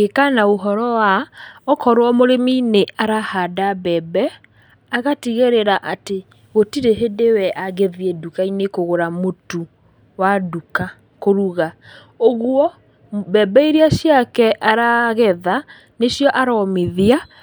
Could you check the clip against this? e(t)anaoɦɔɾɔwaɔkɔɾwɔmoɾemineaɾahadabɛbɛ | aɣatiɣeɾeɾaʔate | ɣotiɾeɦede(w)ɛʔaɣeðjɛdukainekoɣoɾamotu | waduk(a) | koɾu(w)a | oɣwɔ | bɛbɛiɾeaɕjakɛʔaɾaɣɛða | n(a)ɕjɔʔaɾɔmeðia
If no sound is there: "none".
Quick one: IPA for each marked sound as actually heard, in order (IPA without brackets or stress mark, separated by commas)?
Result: k, w, a, ɣ, e